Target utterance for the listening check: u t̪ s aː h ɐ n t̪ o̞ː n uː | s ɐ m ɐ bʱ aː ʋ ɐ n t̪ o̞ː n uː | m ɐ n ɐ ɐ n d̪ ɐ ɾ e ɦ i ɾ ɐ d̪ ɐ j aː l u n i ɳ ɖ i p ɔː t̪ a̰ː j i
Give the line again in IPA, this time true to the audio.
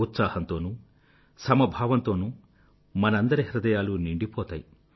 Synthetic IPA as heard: u t̪ s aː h ɐ n t̪ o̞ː n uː | s ɐ m ɐ bʱ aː ʋ ɐ n t̪ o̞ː n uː | m ɐ n ɐ ɐ n d̪ ɐ ɾ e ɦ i ɾ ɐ d̪ ɐ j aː l u n i ɳ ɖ i p ɔː t̪ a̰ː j i